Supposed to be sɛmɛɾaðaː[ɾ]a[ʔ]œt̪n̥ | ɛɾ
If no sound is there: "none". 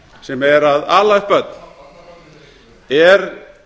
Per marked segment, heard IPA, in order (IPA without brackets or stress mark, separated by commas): l, p